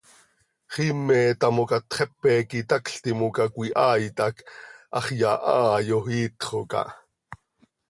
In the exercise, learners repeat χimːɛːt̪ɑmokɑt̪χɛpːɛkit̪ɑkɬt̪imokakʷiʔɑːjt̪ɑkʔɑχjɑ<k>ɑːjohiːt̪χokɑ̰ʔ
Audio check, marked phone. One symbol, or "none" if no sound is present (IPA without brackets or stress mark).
ʔ